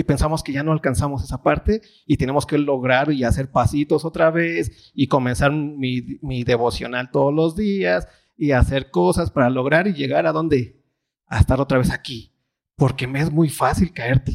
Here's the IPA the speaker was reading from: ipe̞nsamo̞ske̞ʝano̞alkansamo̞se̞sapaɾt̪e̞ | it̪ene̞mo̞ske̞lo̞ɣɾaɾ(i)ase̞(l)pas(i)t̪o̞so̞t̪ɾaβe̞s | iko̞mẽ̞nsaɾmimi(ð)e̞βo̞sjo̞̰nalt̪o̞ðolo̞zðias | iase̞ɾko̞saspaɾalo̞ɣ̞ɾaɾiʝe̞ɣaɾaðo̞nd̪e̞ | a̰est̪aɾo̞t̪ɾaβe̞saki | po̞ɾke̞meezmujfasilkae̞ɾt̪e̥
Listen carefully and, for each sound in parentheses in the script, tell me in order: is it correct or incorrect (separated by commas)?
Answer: correct, incorrect, correct, correct